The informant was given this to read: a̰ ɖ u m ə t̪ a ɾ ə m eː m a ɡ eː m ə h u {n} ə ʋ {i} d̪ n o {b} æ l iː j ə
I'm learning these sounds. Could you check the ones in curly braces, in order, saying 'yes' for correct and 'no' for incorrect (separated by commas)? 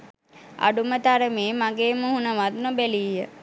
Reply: yes, no, yes